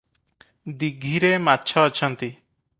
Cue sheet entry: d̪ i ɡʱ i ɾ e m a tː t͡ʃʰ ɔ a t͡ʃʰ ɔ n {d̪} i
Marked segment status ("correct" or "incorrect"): incorrect